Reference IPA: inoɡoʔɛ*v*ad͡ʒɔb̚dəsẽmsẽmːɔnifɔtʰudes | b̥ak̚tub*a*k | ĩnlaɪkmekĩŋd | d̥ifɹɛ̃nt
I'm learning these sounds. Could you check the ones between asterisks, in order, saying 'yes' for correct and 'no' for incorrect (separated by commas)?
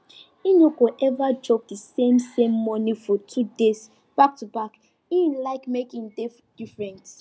yes, yes